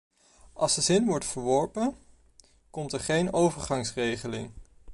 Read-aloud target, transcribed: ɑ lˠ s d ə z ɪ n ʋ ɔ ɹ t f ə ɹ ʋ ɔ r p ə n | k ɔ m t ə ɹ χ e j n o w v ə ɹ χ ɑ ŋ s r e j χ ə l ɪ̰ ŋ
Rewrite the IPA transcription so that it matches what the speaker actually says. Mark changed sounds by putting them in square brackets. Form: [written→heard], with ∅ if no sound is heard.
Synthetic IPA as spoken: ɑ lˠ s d ə z ɪ n ʋ ɔ ɹ t f ə ɹ ʋ ɔ [r→ɹ] p ə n | k ɔ m t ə ɹ χ e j n o w v ə ɹ χ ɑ ŋ s r e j χ ə l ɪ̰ ŋ